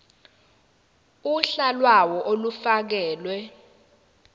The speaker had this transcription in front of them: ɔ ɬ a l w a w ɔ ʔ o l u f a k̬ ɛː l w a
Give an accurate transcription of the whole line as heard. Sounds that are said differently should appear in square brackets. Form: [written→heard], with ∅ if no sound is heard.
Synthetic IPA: [ɔ→u] ɬ a l w a w ɔ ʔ o l u f a k̬ ɛː l w [a→ɛ]